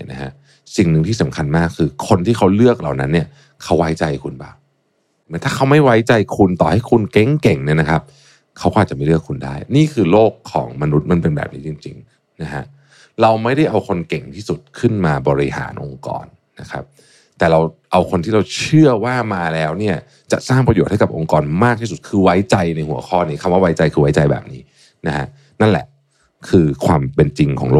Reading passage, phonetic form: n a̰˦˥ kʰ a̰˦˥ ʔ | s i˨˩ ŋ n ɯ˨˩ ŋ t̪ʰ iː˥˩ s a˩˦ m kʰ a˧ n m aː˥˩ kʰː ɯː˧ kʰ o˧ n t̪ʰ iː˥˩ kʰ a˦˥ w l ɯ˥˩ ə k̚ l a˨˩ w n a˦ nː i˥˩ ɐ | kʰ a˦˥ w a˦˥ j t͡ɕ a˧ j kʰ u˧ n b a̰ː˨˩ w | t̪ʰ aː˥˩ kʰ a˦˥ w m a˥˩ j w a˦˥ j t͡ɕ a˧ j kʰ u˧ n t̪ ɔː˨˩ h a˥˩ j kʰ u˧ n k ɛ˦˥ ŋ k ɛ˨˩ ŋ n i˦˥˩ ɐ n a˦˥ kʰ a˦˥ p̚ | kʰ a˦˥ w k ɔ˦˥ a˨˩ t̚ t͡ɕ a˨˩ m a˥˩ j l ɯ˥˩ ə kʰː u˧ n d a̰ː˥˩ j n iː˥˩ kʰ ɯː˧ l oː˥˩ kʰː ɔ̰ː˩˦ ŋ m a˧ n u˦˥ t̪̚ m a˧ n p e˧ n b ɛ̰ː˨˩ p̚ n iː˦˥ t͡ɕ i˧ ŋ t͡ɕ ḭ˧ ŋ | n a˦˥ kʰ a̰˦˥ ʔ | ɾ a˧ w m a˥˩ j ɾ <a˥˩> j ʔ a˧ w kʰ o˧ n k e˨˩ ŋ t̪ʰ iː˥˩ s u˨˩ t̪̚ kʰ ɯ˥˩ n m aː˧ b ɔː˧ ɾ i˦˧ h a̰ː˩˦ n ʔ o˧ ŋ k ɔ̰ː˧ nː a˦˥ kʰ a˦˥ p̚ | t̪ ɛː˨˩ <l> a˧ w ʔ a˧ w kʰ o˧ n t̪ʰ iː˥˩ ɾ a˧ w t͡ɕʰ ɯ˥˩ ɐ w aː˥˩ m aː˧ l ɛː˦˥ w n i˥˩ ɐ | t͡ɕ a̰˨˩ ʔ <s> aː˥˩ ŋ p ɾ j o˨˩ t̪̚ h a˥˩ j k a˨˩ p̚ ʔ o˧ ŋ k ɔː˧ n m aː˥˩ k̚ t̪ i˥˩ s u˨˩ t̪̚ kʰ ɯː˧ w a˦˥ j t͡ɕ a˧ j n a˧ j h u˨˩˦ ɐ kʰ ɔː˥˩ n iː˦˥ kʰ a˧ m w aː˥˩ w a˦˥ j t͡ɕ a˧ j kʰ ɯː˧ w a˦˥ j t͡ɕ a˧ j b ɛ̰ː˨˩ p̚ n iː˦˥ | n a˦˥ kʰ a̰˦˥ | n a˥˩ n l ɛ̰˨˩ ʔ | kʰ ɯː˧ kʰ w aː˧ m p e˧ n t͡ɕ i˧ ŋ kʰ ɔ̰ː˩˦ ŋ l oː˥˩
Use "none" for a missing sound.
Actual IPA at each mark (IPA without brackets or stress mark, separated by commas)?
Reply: a˥˩, ɾ, s